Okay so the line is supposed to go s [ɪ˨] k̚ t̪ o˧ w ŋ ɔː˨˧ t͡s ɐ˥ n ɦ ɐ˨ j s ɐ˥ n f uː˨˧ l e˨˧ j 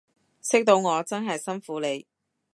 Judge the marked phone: incorrect: ɪ˥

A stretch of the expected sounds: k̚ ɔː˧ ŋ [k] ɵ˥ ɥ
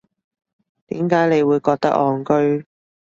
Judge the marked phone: correct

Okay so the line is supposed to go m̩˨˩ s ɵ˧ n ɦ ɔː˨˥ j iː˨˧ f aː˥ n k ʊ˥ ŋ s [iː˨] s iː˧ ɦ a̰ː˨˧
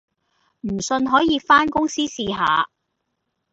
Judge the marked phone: incorrect: iː˥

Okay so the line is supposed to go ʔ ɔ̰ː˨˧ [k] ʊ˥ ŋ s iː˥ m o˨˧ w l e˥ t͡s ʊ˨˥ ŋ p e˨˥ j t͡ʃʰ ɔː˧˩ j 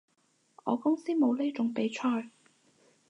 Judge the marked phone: correct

